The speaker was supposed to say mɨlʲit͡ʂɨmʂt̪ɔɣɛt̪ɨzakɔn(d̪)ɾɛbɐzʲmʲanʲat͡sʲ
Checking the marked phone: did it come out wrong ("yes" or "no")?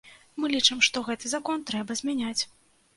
yes